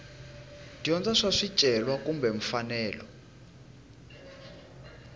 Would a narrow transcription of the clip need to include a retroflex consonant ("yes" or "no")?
yes